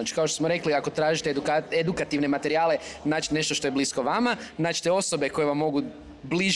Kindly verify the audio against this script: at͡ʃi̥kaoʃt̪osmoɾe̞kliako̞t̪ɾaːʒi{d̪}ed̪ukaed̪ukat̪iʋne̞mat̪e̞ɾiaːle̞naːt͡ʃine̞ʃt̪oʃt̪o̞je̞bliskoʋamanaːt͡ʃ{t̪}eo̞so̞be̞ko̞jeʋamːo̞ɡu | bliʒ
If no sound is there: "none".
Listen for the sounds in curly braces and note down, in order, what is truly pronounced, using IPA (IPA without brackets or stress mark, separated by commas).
t̪, t̪